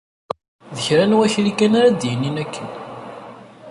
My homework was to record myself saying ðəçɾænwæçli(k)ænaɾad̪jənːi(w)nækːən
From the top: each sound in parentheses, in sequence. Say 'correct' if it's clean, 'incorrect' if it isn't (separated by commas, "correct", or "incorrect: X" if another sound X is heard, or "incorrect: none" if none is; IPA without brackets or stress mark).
correct, incorrect: none